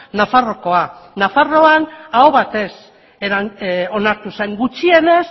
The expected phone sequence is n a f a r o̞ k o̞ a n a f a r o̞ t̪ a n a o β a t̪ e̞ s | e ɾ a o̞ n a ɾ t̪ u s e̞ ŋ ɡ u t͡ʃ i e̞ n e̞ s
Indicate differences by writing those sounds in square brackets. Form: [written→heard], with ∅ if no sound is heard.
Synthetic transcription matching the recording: n a f a r o̞ k o̞ a n a f a r o̞ [t̪→∅] a n a o β a t̪ e̞ s | e ɾ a o̞ n a ɾ t̪ u s e̞ ŋ ɡ u t͡ʃ i e̞ n e̞ s